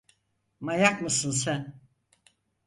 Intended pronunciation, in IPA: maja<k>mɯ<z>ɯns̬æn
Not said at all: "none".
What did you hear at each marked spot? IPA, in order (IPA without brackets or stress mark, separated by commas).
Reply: k, s